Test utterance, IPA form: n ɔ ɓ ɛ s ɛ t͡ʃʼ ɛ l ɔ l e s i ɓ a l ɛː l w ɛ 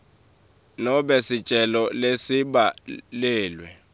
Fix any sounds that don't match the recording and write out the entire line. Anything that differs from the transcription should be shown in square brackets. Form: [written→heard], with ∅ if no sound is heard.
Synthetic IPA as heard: n ɔ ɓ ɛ s [ɛ→i] t͡ʃʼ ɛ l ɔ l e s i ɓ a l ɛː l w ɛ